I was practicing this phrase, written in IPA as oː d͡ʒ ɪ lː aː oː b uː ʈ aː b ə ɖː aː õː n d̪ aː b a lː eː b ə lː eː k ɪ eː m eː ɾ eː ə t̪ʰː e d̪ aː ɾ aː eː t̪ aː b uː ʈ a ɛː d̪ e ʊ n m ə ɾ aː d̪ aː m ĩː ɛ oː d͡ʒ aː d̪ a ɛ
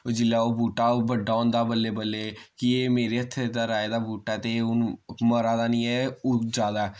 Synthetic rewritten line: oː d͡ʒ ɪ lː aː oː b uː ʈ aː b ə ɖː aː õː n d̪ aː b ə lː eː b ə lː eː k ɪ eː m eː ɾ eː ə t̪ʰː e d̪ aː ɾ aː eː d̪ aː b uː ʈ a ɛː t̪ e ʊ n m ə ɾ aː d̪ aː n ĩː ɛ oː d͡ʒ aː d̪ a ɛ